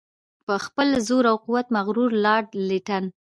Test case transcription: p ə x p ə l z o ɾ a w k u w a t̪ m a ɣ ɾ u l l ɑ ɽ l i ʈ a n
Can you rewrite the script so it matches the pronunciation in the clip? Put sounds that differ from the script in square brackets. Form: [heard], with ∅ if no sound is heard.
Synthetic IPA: p ə x p ə l z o ɾ a w [q] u w a t̪ m a ɣ ɾ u [ɾ] l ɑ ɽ l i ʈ a n